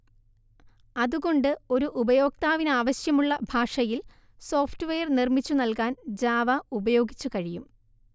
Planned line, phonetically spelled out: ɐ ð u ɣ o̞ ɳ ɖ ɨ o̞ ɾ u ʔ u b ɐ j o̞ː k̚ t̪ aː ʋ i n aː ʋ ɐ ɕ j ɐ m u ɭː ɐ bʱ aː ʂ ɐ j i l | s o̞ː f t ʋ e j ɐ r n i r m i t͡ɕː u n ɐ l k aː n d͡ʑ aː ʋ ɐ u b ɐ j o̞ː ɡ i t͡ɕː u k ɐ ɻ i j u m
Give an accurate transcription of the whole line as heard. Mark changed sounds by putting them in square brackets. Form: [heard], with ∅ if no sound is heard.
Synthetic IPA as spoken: ɐ ð u ɣ o̞ ɳ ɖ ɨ o̞ ɾ u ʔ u b ɐ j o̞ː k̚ t̪ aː ʋ i n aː ʋ ɐ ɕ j ɐ m u ɭː ɐ bʱ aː ʂ ɐ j i l | s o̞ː f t ʋ e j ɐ r n i r m i t͡ɕː u n ɐ l k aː n d͡ʑ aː ʋ ɐ u b ɐ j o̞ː ɡ i t͡ɕː u k ɐ ɻ i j u m

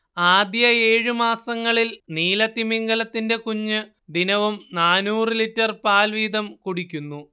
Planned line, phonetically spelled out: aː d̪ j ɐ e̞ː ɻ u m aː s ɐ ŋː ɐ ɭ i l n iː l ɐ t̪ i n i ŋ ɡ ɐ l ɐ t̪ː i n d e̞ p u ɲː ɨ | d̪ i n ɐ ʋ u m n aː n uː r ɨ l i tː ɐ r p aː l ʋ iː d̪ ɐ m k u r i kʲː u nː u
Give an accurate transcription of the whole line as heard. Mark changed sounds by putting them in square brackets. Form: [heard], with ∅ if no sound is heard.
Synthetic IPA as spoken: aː d̪ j ɐ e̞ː ɻ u m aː s ɐ ŋː ɐ ɭ i l n iː l ɐ t̪ i [m] i ŋ ɡ ɐ l ɐ t̪ː i n d e̞ [k] u ɲː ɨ | d̪ i n ɐ ʋ u m n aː n uː r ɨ l i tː ɐ r p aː l ʋ iː d̪ ɐ m k u [ɽ] i kʲː u nː u

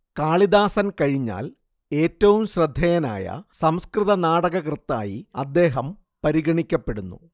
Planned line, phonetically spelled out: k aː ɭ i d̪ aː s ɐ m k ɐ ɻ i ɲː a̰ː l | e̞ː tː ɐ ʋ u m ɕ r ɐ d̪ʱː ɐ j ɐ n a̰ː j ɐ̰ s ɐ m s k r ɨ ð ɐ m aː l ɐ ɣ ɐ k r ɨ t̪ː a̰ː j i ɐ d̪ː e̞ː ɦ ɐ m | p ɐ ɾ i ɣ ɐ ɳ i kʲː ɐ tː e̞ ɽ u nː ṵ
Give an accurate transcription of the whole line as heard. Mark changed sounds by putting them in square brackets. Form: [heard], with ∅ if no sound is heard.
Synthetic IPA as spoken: k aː ɭ i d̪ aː s ɐ [n] k ɐ ɻ i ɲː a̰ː l | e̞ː tː ɐ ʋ u m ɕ r ɐ d̪ʱː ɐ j ɐ n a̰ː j ɐ̰ s ɐ m s k r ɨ ð ɐ [n] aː [ɽ] ɐ ɣ ɐ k r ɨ t̪ː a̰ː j i ɐ d̪ː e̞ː ɦ ɐ m | p ɐ ɾ i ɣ ɐ ɳ i kʲː ɐ [pː] e̞ ɽ u nː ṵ

